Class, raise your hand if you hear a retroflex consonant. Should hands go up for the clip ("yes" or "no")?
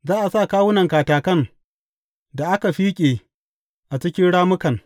yes